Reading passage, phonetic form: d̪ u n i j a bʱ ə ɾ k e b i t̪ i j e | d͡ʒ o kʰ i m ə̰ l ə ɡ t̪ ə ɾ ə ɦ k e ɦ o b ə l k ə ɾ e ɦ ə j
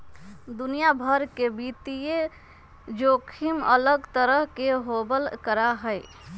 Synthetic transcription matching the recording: d̪ u n i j a bʱ ə ɾ k e b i t̪ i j e | d͡ʒ o kʰ i m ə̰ l ə ɡ t̪ ə ɾ ə ɦ k e ɦ o b ə l k ə ɾ a ɦ ə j

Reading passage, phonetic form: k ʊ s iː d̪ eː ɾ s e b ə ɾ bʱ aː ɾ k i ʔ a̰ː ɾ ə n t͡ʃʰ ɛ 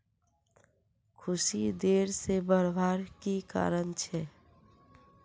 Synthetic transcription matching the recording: kʰ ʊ s i d̪ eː ɾ s e b ə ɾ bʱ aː ɾ k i k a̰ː ɾ ə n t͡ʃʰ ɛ

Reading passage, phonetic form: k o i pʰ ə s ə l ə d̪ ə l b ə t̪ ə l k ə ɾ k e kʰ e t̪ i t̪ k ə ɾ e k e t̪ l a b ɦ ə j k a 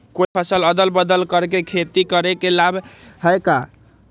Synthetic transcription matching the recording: k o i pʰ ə s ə l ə d̪ ə l b ə d̪ ə l k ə ɾ k e kʰ e t̪ i k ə ɾ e k e l a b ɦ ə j k a

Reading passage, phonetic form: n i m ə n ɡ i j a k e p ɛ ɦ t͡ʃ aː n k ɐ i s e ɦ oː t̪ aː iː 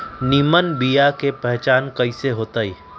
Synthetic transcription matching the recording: n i m ə n b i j a k e p ɛ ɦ t͡ʃ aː n k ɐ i s e ɦ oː t̪ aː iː

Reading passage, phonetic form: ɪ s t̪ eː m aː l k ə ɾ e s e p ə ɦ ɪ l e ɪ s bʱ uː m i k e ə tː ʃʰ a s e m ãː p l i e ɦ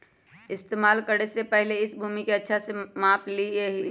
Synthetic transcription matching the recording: ɪ s t̪ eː m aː l k ə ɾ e s e p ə ɦ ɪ l e ɪ s bʱ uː m i k e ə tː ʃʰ a s e m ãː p l i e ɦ

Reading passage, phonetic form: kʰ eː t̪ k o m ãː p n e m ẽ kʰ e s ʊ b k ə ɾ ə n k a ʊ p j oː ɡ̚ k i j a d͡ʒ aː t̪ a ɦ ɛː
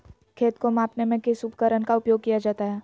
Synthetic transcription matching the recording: kʰ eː t̪ k o m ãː p n e m ẽ k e s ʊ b k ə ɾ ə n k a ʊ p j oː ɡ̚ k i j a d͡ʒ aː t̪ a ɦ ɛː

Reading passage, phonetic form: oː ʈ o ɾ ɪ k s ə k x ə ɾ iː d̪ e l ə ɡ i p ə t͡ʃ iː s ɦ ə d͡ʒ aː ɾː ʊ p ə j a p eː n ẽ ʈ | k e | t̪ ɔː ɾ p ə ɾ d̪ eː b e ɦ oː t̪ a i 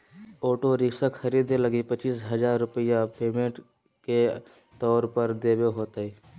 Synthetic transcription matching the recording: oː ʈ o ɾ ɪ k s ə k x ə ɾ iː d̪ e l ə ɡ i p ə t͡ʃ iː s ɦ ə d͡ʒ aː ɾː ʊ p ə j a p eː m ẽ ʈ | k e | t̪ ɔː ɾ p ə ɾ d̪ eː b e ɦ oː t̪ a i

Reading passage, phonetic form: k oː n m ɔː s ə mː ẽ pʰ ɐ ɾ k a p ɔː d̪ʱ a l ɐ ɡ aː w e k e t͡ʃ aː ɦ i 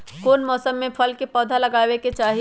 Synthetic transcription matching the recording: k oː n m ɔː s ə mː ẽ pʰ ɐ l k e p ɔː d̪ʱ a l ɐ ɡ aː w e k e t͡ʃ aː ɦ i

